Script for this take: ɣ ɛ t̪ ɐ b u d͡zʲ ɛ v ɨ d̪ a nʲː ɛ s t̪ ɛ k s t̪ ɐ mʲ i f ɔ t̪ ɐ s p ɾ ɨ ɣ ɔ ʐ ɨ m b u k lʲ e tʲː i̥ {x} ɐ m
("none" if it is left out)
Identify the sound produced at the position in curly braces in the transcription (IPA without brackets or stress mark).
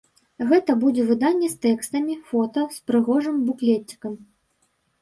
k